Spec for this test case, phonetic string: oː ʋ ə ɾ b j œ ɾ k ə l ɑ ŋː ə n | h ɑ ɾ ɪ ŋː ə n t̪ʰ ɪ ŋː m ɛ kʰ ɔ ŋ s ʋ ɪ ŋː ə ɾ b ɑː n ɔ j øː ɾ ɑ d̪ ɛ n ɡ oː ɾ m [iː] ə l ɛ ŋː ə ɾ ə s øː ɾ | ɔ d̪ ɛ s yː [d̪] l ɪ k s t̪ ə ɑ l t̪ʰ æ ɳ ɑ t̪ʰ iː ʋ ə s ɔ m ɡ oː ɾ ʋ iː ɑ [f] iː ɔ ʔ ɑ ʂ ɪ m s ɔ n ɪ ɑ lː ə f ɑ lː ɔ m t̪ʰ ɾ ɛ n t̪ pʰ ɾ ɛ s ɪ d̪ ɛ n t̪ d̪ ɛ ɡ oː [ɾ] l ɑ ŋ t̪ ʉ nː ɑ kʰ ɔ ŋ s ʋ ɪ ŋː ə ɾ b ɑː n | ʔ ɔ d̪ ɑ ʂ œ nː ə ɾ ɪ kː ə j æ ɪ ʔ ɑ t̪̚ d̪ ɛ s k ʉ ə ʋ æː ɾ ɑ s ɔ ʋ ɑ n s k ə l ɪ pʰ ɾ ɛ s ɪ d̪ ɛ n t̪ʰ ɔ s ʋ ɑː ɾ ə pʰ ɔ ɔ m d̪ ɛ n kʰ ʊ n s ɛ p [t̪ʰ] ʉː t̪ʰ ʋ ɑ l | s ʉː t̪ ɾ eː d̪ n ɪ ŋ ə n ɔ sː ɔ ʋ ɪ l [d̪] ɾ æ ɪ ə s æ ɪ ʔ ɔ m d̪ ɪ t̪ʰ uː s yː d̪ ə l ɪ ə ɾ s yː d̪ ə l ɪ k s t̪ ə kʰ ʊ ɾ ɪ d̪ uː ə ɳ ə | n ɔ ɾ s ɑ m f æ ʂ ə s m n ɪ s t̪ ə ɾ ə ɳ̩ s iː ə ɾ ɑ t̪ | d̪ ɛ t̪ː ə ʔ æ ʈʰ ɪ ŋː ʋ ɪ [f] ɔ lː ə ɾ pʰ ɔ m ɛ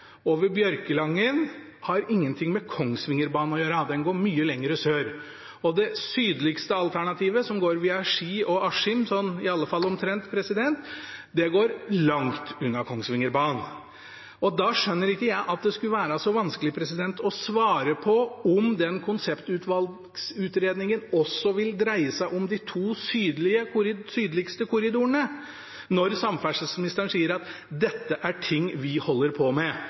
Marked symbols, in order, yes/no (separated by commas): no, yes, no, yes, no, yes, no